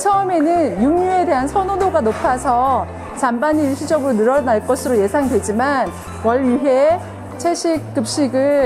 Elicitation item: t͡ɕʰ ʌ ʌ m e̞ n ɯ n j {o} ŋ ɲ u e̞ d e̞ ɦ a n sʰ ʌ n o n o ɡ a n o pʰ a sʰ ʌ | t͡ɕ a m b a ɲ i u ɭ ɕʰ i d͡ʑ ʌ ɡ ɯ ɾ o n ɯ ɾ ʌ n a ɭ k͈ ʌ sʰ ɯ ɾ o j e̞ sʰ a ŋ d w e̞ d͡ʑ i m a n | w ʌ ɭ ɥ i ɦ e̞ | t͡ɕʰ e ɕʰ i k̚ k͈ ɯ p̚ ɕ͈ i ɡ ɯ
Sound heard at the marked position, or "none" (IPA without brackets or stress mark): u